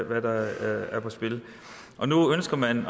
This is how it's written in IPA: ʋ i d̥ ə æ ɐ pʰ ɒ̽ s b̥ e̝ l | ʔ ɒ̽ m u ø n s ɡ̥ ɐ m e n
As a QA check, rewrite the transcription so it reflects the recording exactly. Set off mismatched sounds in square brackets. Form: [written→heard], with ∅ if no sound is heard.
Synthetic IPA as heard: ʋ [i→æ] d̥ [ə→ɑ] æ ɐ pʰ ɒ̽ s b̥ e̝ l | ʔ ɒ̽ [m→n] u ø n s ɡ̥ ɐ m [e→æ] n